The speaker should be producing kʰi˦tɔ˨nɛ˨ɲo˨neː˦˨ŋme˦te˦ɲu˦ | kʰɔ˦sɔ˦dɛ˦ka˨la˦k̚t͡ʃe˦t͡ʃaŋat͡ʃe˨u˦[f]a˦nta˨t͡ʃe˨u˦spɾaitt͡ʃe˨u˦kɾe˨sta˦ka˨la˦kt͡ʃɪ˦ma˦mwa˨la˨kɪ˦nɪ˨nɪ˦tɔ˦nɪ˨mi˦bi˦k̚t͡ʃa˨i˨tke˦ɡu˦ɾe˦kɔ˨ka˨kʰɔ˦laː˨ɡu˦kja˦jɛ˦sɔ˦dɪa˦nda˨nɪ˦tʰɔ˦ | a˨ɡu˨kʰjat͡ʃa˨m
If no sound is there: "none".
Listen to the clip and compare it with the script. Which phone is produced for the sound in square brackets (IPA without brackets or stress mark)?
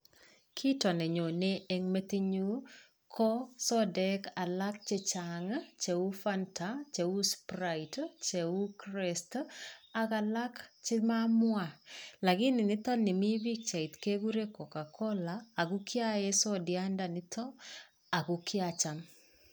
f